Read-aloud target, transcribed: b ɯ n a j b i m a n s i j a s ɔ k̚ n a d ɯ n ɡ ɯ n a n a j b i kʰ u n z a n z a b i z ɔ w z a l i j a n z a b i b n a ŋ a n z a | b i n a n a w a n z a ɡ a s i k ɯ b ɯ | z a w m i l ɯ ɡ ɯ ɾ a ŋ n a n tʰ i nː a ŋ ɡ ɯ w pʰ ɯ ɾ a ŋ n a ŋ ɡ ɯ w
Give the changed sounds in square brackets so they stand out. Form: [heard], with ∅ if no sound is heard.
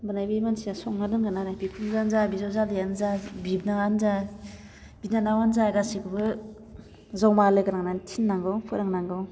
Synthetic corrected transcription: b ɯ n a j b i m a n s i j a s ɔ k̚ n a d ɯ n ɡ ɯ n a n a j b i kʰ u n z a n z a b i z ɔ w z a l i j a n z a b i b n a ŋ a n z a | b i n a n a w a n z a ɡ a s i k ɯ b ɯ | z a w m [a] l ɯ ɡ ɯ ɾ a ŋ n a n tʰ i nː a ŋ ɡ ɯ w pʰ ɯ ɾ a ŋ n a ŋ ɡ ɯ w